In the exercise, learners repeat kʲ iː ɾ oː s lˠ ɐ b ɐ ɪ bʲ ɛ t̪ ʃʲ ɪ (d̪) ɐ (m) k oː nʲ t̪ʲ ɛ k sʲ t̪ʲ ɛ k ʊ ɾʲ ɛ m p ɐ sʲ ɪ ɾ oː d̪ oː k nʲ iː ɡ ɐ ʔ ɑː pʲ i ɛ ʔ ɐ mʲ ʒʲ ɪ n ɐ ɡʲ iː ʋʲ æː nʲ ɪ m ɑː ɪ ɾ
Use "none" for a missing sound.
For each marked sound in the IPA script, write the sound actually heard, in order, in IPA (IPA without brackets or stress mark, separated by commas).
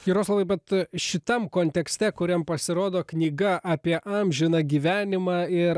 t̪, m